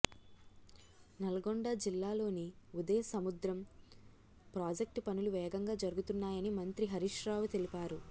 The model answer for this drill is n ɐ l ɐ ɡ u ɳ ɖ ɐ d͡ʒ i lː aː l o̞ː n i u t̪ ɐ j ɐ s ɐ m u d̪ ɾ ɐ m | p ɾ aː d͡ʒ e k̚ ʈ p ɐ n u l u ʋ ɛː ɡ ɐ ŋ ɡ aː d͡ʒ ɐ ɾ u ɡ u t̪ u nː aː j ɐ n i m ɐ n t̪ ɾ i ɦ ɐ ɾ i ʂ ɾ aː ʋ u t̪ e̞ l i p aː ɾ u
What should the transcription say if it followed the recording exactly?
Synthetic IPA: n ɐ l ɐ ɡ o ɳ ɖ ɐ d͡ʒ i lː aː l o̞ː n i u d̪ ɐ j ɐ s ɐ m u d̪ ɾ ɐ m | p ɾ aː d͡ʒ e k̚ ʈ p ɐ n u l u ʋ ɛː ɡ ɐ ŋ ɡ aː d͡ʒ ɐ ɾ u ɡ u t̪ u nː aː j ɐ n i m ɐ n t̪ ɾ i ɦ ɐ ɾ i ʂ ɾ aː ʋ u t̪ e̞ l i p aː ɾ u